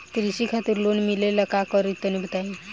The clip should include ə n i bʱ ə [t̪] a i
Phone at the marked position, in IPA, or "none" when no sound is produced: t̪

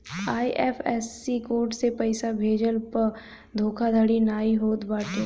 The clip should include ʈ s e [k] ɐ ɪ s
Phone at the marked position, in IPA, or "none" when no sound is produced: p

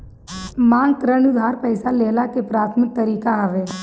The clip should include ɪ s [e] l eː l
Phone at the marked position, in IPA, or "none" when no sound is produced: a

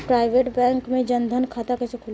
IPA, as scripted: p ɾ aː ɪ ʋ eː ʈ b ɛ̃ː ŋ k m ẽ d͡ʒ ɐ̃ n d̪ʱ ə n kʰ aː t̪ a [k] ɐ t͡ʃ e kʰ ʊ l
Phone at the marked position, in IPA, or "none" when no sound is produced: k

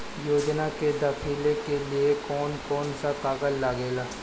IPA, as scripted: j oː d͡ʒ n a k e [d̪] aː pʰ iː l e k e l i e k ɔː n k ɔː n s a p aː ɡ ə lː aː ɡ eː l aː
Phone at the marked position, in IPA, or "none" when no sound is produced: d̪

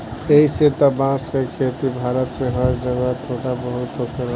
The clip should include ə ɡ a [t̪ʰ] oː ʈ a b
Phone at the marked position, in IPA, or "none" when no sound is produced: t̪ʰ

